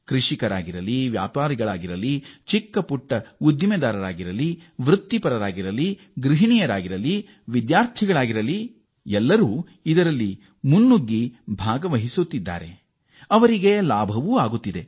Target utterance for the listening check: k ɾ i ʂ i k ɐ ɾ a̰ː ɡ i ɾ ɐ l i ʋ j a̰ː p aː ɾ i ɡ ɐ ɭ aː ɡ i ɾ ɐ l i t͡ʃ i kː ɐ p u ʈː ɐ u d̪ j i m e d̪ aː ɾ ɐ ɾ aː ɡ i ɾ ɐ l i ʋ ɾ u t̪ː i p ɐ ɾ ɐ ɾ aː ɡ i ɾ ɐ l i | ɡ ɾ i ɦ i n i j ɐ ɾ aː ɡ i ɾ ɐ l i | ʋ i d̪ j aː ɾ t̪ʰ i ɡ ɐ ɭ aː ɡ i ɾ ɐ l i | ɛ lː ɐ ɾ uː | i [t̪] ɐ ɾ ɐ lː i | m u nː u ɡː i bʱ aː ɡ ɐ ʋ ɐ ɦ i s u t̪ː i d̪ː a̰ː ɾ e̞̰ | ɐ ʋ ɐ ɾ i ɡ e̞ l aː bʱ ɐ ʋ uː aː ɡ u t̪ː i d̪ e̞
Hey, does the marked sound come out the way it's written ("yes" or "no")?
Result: no